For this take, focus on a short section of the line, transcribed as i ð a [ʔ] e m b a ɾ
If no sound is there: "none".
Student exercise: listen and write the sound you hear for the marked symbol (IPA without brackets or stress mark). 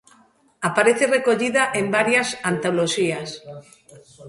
ʔ